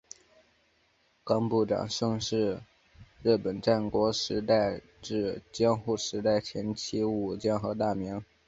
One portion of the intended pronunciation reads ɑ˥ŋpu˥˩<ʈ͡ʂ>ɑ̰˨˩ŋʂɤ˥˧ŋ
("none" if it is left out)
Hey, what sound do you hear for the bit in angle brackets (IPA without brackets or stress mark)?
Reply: ʈ͡ʂ